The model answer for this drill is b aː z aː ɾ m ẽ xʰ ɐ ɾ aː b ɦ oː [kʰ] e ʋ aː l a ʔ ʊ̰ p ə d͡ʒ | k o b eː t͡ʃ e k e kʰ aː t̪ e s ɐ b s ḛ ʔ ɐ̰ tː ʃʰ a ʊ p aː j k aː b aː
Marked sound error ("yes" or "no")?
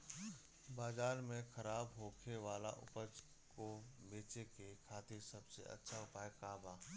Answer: no